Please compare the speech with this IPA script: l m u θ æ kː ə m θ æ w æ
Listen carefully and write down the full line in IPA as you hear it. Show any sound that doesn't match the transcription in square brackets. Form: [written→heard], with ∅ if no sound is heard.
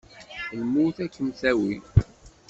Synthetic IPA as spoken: l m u θ æ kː ə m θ æ w [æ→i]

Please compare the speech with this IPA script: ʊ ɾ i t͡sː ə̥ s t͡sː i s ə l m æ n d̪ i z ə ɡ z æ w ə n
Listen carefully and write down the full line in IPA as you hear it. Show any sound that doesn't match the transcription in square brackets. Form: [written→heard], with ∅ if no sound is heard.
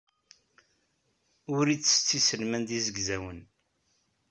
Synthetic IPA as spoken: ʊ ɾ i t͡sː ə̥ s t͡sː i s ə l m æ n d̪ i z ə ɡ z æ w ə n

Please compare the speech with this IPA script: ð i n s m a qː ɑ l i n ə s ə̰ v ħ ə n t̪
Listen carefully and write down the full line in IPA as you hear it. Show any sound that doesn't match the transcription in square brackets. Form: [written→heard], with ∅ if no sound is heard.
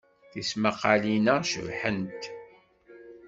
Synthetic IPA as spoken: [ð→θ] i [n→∅] s m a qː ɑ l i n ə [s→ʃ] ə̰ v ħ ə n t̪

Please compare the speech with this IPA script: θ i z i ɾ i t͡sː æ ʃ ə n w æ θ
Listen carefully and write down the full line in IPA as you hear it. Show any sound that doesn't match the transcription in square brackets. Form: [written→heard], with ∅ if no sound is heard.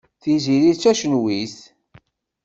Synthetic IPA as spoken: θ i z i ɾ i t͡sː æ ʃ ə n w [æ→i] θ

